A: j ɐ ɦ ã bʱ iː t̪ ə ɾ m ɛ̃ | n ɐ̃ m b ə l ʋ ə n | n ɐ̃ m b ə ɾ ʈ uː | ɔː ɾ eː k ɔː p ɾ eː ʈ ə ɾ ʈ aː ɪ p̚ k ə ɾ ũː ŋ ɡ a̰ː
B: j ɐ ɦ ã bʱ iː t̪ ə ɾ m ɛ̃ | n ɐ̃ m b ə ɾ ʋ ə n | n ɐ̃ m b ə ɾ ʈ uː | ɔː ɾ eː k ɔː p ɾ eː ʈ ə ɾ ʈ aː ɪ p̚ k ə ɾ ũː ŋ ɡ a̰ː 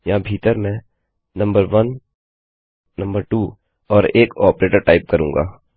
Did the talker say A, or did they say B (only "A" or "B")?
B